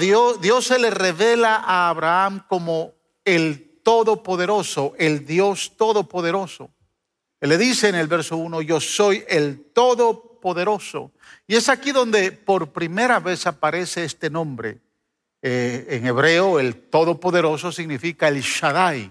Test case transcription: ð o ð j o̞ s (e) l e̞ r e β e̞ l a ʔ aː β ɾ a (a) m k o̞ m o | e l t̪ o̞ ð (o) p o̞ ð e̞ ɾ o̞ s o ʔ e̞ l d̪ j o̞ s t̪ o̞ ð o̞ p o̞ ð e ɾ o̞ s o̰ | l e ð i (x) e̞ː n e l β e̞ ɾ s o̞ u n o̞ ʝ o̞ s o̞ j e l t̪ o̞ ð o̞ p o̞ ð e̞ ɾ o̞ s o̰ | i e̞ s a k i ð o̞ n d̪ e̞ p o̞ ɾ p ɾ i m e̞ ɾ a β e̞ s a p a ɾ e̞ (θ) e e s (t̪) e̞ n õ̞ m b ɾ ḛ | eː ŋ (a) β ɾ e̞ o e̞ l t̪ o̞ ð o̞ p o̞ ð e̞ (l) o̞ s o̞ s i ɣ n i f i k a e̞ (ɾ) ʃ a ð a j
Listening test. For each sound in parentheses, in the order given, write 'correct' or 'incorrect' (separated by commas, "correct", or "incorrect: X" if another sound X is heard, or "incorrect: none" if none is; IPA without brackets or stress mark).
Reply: correct, correct, correct, incorrect: s, incorrect: s, correct, incorrect: e, incorrect: ɾ, incorrect: l